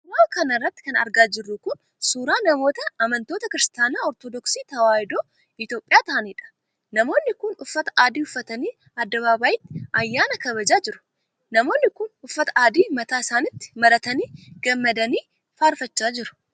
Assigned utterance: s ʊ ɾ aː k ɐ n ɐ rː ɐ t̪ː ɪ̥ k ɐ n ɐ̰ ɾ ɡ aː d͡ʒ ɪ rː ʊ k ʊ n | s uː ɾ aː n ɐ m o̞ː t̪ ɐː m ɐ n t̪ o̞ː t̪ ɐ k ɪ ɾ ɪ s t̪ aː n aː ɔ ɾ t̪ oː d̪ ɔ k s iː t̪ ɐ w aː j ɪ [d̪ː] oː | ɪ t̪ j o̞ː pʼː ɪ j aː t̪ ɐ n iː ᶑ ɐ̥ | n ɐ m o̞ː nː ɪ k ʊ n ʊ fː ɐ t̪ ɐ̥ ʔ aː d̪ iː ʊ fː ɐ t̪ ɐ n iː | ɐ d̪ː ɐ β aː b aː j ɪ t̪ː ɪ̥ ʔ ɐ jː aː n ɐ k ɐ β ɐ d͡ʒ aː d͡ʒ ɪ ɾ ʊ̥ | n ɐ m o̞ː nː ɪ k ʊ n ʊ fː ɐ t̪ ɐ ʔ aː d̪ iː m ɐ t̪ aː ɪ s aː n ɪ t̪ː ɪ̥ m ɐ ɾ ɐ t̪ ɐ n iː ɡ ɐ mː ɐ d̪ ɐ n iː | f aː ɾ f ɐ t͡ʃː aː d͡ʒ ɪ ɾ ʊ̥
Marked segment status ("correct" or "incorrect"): incorrect